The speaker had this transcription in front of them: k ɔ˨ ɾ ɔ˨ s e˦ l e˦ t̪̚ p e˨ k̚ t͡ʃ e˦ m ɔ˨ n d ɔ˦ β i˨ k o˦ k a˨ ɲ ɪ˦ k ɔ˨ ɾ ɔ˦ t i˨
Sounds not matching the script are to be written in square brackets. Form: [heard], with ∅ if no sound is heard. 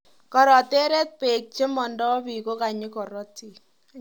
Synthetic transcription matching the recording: k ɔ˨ ɾ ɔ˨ [t] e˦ [ɾ] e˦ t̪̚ p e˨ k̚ t͡ʃ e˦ m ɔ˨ n d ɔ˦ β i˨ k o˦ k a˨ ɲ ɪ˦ k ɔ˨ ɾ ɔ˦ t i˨